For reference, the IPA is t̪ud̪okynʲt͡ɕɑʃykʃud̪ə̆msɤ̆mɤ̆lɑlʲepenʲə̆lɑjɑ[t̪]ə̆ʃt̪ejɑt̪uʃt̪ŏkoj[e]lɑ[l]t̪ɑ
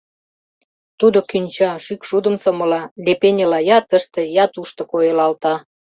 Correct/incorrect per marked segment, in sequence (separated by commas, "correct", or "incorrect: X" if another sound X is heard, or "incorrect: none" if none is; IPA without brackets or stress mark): correct, correct, correct